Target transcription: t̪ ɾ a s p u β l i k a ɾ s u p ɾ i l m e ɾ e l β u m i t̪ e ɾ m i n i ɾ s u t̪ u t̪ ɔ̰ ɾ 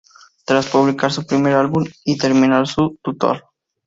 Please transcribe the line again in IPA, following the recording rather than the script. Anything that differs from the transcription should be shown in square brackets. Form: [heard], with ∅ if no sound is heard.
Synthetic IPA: t̪ ɾ a s p u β l i k a ɾ s u p ɾ i [∅] m e ɾ [a] l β u m i t̪ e ɾ m i n [a] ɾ s u t̪ u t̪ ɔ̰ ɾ

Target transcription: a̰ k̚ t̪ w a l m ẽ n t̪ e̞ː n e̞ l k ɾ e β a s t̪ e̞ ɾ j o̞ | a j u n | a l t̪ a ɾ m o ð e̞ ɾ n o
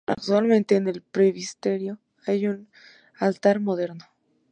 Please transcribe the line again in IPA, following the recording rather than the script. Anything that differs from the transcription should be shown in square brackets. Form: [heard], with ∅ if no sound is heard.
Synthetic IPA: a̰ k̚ t̪ w a l m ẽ n t̪ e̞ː n e̞ l [p] ɾ e β [i] s t̪ e̞ ɾ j o̞ | a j u n | a l t̪ a ɾ m o ð e̞ ɾ n o

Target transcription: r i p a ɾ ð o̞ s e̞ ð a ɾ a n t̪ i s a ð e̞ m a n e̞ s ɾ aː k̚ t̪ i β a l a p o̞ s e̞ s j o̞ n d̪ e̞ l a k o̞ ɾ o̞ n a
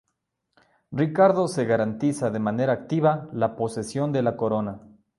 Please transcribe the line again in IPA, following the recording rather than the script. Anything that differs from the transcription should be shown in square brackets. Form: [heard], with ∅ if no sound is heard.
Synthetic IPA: r i [k] a ɾ ð o̞ s e̞ [ɣ] a ɾ a n t̪ i s a ð e̞ m a n e̞ [∅] ɾ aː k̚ t̪ i β a l a p o̞ s e̞ s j o̞ n d̪ e̞ l a k o̞ ɾ o̞ n a

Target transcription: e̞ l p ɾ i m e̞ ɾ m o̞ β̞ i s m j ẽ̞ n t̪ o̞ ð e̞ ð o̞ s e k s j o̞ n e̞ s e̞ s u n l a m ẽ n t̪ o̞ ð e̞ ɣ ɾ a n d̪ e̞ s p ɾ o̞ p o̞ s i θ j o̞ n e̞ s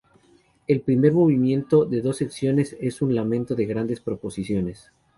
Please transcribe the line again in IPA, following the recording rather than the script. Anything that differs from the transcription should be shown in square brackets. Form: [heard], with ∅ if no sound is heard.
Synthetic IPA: e̞ l p ɾ i m e̞ ɾ m o̞ β̞ i [∅] m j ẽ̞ n t̪ o̞ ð e̞ ð o̞ s e k s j o̞ n e̞ s e̞ s u n l a m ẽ n t̪ o̞ ð e̞ ɣ ɾ a n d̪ e̞ s p ɾ o̞ p o̞ s i [s] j o̞ n e̞ s

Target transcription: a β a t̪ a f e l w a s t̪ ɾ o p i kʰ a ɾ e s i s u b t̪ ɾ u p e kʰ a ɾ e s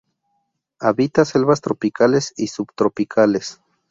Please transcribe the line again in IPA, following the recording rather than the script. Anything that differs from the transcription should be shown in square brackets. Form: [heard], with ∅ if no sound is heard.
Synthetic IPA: a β [i] t̪ a [s] e l [β] a s t̪ ɾ o p i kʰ a [l] e s i s u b t̪ ɾ [o] p [i] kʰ a [l] e s

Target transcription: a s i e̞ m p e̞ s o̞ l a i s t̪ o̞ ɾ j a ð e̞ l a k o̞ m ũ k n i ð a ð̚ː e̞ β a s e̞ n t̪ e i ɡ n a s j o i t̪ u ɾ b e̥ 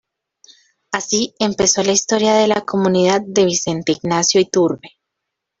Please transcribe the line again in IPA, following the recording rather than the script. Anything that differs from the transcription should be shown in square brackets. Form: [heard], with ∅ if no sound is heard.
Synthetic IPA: a s i e̞ m p e̞ s o̞ l a i s t̪ o̞ ɾ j a ð e̞ l a k o̞ m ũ [∅] n i ð a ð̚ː e̞ β [i] s e̞ n t̪ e i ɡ n a s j o i t̪ u ɾ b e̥

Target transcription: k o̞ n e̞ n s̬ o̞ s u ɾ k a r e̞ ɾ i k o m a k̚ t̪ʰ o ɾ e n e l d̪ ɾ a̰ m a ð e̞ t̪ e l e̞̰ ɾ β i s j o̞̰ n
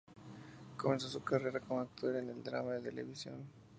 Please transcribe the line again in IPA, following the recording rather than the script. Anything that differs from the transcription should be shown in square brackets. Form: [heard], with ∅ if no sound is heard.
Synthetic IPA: k o̞ [m] e̞ n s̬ o̞ s u [∅] k a r e̞ ɾ [a] k o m a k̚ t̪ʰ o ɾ e n e l d̪ ɾ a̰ m a ð e̞ t̪ e l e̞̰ [∅] β i s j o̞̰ n

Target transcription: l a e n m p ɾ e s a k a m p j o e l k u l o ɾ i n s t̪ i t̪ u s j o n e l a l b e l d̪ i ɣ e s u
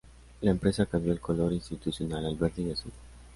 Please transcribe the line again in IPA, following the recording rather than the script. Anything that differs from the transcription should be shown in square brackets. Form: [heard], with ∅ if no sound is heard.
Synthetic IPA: l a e [∅] m p ɾ e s a k a m [b] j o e l k [o] l o ɾ i n s t̪ i t̪ u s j o n [a] l a l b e [ɾ] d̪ i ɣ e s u

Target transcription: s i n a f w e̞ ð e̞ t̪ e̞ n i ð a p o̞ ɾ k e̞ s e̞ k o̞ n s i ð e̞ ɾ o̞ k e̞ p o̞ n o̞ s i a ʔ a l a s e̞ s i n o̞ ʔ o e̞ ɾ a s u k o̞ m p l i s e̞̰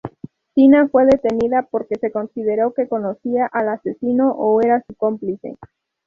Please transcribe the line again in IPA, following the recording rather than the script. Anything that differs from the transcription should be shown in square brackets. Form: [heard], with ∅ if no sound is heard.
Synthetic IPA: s i n a f w e̞ ð e̞ t̪ e̞ n i ð a p o̞ ɾ k e̞ s e̞ k o̞ n s i ð e̞ ɾ o̞ k e̞ [k] o̞ n o̞ s i a ʔ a l a s e̞ s i n o̞ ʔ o e̞ ɾ a s u k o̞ m p l i s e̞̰

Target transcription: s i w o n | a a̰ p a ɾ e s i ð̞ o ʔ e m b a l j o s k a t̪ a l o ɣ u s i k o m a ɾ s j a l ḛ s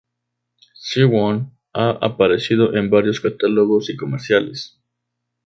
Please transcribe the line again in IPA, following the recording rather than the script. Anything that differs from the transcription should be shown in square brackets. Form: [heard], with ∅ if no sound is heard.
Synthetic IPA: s i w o n | a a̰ p a ɾ e s i ð̞ o ʔ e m b a [ɾ] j o s k a t̪ a l o ɣ [o] s i k o m [e] ɾ s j a l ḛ s

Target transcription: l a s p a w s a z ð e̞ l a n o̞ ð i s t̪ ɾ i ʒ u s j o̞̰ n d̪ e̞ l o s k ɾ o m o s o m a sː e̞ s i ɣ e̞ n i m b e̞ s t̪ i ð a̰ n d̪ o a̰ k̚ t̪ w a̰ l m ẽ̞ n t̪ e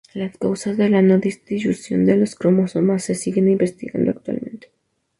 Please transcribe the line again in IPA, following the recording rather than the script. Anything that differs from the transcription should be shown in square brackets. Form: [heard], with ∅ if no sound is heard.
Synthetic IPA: l a s [k] a w s a z ð e̞ l a n o̞ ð i s t̪ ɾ i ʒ u s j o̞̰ n d̪ e̞ l o s k ɾ o m o s o m a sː e̞ s i ɣ e̞ n i m b e̞ s t̪ i [ɣ] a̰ n d̪ o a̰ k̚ t̪ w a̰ l m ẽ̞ n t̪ e

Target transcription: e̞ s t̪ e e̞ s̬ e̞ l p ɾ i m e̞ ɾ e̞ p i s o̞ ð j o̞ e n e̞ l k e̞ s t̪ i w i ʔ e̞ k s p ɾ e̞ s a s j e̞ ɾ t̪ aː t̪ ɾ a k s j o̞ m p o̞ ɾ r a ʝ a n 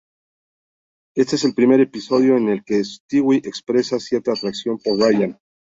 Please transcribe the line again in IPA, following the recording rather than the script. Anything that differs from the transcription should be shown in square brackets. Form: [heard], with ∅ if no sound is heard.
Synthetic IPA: e̞ s t̪ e e̞ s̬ e̞ l p ɾ i m e̞ ɾ e̞ p i s o̞ ð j o̞ e n e̞ l k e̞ s t̪ i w i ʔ e̞ k s p ɾ e̞ s a s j e̞ ɾ t̪ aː t̪ ɾ a k s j o̞ m p o̞ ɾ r a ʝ a n

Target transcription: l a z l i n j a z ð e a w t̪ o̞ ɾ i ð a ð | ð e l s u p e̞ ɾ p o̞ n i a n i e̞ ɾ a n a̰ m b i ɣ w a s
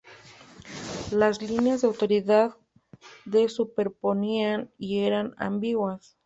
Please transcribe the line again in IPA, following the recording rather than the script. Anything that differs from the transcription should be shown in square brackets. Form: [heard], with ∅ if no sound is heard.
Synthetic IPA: l a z l i n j a z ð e a w t̪ o̞ ɾ i ð a ð | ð e [∅] s u p e̞ ɾ p o̞ n i a n i e̞ ɾ a n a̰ m b i ɣ w a s

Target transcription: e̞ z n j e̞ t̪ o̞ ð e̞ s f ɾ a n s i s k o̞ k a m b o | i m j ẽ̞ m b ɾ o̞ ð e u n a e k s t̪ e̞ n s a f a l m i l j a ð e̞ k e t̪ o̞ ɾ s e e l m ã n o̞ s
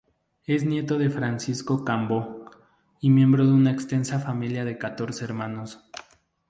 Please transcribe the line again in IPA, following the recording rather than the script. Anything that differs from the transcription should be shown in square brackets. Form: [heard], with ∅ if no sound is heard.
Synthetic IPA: e̞ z n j e̞ t̪ o̞ ð e̞ [∅] f ɾ a n s i s k o̞ k a m b o | i m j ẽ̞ m b ɾ o̞ ð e u n a e k s t̪ e̞ n s a f a [∅] m i l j a ð e̞ k [a] t̪ o̞ ɾ s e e [ɾ] m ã n o̞ s

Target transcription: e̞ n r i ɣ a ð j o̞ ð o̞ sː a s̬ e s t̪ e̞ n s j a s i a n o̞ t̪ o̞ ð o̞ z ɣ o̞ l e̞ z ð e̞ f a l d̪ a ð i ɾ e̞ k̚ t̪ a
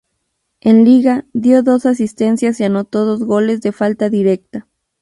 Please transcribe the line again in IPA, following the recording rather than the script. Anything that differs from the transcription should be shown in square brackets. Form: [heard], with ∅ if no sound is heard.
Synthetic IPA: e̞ n [l] i ɣ a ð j o̞ ð o̞ [s] a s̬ [i] s t̪ e̞ n s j a s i a n o̞ t̪ o̞ ð o̞ z ɣ o̞ l e̞ z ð e̞ f a l [t̪] a ð i ɾ e̞ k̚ t̪ a

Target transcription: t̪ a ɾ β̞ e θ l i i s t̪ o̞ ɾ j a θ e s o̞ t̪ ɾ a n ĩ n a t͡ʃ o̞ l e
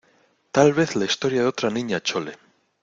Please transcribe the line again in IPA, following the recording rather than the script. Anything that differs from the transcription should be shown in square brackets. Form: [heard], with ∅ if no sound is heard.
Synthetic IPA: t̪ a [l] β̞ e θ l [a] i s t̪ o̞ ɾ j a [ð] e [∅] o̞ t̪ ɾ a n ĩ [ɲ] a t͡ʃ o̞ l e

